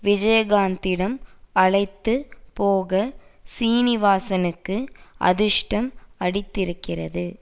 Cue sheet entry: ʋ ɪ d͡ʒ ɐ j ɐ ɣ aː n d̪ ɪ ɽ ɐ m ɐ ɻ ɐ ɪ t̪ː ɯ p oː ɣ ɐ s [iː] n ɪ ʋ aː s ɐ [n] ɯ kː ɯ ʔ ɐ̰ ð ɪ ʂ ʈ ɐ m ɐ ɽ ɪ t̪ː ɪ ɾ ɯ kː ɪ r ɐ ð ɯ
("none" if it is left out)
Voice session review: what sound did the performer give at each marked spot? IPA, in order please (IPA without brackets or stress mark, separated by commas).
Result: iː, n